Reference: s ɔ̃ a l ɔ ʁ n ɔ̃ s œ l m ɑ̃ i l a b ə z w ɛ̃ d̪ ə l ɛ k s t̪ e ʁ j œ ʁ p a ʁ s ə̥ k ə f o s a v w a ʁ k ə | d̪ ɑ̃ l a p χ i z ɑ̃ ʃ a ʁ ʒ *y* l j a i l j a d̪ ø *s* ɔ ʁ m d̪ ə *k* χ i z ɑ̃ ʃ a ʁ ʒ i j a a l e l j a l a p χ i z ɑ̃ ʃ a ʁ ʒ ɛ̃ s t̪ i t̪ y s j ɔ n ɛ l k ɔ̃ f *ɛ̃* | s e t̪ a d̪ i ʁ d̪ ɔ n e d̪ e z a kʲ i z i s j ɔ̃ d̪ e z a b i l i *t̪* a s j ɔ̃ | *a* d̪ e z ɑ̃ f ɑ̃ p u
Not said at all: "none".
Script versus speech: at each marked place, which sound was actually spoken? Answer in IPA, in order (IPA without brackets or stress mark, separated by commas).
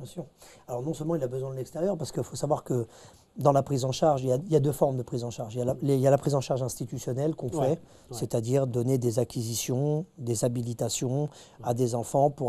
i, f, p, ɛ, t̪, a